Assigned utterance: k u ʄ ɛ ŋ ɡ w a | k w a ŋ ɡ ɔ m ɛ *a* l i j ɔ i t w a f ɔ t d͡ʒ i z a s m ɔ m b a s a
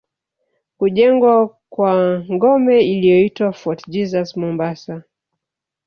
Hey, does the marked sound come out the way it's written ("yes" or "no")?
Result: no